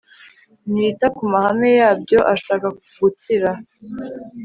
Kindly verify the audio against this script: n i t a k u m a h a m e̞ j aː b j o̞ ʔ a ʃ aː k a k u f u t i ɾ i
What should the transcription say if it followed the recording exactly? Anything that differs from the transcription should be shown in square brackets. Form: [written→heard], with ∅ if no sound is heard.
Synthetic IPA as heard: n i t a k u m a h a m e̞ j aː b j o̞ ʔ a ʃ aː k a k u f u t i ɾ [i→a]